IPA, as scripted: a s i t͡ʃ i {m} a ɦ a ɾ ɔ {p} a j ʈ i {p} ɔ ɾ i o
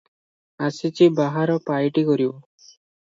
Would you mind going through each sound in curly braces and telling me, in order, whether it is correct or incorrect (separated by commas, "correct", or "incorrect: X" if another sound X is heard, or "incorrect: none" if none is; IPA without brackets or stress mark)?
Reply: incorrect: b, correct, incorrect: k